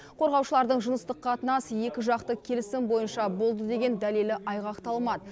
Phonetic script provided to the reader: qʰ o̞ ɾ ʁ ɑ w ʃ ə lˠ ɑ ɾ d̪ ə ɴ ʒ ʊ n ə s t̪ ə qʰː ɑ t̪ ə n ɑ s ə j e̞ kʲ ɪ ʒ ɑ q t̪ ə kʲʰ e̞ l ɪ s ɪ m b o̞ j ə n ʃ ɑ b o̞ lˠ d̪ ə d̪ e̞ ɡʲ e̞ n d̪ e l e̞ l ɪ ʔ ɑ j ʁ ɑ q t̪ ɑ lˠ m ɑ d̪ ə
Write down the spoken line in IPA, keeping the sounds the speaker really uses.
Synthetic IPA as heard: qʰ o̞ ɾ ʁ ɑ w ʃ ə lˠ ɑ ɾ d̪ ə ɴ ʒ ʊ n ə s t̪ ə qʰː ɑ t̪ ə n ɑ s ə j e̞ kʲ ɪ ʒ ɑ q t̪ ə kʲʰ e̞ l ɪ s ɪ m b o̞ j ə n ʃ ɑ b o̞ lˠ d̪ ə d̪ e̞ ɡʲ e̞ n d̪ æ l e̞ l ɪ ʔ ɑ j ʁ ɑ q t̪ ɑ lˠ m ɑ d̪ ə